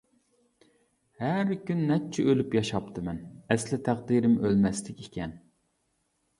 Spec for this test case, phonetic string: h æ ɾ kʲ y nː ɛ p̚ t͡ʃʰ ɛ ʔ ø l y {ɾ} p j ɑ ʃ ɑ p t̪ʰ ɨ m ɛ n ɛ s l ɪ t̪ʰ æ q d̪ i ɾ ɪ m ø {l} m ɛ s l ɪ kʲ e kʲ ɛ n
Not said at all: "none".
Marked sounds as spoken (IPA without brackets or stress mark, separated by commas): none, l